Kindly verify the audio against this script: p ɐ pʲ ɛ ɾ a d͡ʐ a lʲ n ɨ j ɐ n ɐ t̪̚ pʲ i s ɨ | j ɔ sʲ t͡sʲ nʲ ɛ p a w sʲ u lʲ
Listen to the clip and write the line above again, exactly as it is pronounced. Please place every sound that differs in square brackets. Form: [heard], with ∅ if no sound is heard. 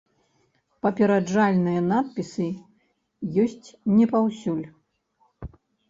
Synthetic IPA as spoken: p ɐ pʲ ɛ ɾ a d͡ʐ a lʲ n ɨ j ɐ n [a] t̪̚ pʲ i s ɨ | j ɔ sʲ t͡sʲ nʲ ɛ p a w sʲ u lʲ